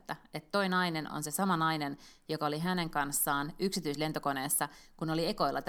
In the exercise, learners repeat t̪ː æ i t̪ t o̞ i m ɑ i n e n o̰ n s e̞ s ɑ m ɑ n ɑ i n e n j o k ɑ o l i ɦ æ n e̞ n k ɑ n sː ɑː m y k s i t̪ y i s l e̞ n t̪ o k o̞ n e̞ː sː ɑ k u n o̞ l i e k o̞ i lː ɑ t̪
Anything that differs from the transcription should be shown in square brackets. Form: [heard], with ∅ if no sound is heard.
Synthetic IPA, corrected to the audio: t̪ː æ [e] t̪ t o̞ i [n] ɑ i n e n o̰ n s e̞ s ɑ m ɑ n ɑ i n e n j o k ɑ o l i ɦ æ n e̞ [ŋ] k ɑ n sː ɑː [n] y k s i t̪ y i s l e̞ n t̪ o k o̞ n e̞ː sː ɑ k u n o̞ l i e k o̞ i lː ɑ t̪